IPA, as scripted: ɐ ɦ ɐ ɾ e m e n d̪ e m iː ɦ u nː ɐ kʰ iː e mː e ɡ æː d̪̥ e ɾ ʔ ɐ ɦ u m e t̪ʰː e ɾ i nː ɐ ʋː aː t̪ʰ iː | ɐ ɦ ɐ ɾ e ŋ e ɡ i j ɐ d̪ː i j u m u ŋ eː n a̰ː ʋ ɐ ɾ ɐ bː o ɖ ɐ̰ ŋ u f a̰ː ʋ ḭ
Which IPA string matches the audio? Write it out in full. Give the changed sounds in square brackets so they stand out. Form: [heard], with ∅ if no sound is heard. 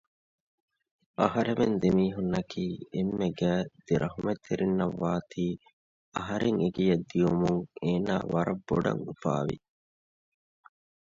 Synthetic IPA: ɐ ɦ ɐ ɾ e m e n d̪ e m iː ɦ u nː ɐ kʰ iː e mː e ɡ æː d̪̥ e ɾ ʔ ɐ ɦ u m e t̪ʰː e ɾ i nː ɐ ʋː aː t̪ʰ iː | ɐ ɦ ɐ ɾ e ŋ e ɡ i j ɐ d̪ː i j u m u ŋ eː n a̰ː ʋ ɐ ɾ ɐ bː o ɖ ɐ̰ ŋ u f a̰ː ʋ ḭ